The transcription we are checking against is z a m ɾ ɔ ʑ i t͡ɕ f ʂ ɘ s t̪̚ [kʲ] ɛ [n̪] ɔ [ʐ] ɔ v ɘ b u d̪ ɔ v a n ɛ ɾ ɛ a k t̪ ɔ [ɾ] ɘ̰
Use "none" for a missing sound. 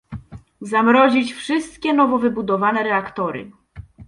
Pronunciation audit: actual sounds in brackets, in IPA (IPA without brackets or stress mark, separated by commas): kʲ, n̪, v, ɾ